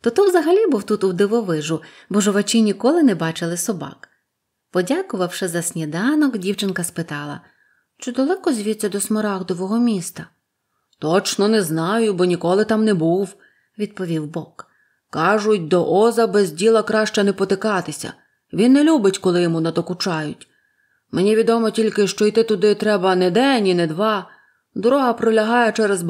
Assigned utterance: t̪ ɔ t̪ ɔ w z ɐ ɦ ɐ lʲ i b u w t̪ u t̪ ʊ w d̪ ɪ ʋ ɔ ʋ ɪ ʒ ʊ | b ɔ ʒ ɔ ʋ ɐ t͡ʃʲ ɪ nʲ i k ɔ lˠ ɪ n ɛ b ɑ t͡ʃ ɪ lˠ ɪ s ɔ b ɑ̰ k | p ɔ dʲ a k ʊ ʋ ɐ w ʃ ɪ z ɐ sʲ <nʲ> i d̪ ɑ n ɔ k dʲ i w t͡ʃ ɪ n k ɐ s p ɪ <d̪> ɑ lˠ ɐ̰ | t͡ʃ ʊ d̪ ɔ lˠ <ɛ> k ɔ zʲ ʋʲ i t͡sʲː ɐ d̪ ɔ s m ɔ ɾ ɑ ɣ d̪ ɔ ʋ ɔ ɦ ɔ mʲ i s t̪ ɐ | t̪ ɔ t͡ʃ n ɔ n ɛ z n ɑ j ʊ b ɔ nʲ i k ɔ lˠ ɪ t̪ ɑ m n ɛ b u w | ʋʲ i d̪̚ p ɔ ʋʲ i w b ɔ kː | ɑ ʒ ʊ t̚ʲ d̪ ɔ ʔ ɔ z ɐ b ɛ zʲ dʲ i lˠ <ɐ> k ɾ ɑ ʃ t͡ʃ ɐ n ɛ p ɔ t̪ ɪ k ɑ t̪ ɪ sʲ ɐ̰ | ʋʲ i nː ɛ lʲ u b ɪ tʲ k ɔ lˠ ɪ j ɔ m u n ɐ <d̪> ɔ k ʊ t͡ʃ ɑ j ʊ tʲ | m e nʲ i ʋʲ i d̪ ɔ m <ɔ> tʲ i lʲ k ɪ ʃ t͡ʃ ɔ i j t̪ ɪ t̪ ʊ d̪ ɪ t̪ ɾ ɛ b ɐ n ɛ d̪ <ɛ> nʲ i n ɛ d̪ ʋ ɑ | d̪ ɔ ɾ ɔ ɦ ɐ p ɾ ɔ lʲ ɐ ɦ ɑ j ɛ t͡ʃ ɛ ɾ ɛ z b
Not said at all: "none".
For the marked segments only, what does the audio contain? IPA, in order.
nʲ, t̪, ɛ, ɐ, d̪, ɔ, ɛ

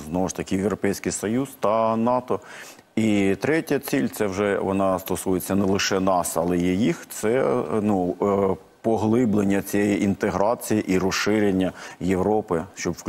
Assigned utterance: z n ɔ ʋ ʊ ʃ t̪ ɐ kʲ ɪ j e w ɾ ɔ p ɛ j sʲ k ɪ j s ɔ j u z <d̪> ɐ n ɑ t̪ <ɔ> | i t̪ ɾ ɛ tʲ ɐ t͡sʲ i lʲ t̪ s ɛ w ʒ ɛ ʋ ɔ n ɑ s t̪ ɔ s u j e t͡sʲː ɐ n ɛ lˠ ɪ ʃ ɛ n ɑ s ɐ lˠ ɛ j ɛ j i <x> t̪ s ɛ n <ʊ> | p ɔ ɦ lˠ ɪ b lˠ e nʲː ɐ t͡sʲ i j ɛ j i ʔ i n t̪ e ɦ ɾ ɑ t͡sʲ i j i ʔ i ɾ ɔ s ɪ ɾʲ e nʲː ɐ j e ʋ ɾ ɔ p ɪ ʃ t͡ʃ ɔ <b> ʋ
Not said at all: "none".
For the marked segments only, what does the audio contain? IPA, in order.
t̪, ɔ, x, u, b

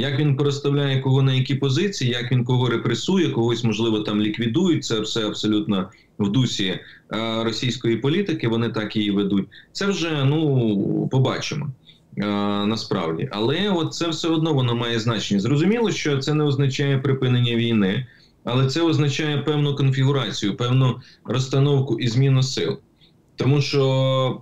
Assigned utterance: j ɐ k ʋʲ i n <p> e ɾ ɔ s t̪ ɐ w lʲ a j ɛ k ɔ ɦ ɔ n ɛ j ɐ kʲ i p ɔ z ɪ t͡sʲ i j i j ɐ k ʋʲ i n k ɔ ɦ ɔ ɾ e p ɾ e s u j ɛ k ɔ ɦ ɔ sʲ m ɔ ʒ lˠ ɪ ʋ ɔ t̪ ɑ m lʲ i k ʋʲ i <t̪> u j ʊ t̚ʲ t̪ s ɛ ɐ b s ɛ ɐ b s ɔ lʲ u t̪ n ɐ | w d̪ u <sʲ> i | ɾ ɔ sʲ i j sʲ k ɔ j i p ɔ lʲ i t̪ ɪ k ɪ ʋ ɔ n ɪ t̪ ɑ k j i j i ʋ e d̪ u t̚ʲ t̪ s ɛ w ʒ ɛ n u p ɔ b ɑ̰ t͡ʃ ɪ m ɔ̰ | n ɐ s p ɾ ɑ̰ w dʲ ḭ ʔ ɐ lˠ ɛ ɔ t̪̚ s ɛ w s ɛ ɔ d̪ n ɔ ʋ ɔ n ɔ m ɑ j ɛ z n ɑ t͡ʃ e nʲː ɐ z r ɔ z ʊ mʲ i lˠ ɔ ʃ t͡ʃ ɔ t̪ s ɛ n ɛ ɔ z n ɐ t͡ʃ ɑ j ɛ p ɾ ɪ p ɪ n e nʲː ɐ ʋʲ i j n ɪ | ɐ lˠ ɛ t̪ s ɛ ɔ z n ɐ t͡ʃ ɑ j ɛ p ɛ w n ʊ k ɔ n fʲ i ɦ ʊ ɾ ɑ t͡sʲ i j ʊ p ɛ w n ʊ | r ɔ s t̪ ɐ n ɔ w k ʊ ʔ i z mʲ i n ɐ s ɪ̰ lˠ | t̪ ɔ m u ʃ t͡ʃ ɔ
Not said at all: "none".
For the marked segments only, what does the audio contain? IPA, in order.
p, d̪, sʲ

